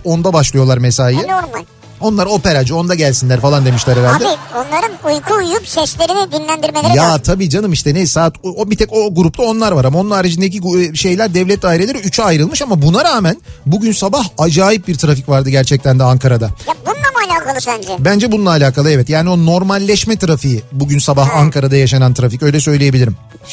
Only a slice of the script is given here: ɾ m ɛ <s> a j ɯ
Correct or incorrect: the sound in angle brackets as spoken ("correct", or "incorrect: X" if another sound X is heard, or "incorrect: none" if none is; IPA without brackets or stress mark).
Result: correct